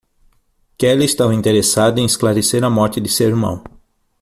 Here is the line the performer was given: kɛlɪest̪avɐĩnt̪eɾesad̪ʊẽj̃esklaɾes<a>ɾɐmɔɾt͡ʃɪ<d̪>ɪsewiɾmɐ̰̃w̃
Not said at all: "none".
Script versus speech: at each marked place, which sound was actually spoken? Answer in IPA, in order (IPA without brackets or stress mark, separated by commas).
e, d̪